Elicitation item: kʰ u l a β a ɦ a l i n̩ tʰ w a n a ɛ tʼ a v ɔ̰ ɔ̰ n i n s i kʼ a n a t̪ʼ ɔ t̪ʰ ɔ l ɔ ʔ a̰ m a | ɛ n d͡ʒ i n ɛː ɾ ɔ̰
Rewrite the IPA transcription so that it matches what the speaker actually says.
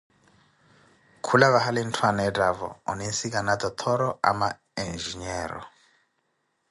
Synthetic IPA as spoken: kʰ u l a β a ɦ a l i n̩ tʰ w a n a ɛ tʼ a v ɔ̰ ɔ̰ n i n s i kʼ a n a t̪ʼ ɔ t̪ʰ ɔ ɾ ɔ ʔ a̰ m a | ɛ n d͡ʒ i ɲ ɛː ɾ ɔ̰